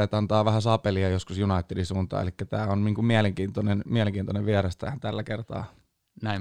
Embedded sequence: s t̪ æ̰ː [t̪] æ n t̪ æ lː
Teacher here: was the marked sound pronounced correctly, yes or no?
no